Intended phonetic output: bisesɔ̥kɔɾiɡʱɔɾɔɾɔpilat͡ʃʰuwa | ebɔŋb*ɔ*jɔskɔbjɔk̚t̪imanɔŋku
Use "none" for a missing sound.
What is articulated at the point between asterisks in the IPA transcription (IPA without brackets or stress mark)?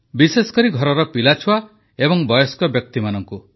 ɔ